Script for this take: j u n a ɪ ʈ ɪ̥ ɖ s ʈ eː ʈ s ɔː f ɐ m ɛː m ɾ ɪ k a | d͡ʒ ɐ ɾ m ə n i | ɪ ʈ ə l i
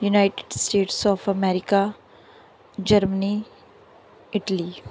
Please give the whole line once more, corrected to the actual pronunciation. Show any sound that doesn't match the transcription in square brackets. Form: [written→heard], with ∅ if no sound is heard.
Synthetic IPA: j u n a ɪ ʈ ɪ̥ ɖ s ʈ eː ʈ s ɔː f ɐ m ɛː [m→∅] ɾ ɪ k a | d͡ʒ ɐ ɾ m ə n i | ɪ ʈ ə l i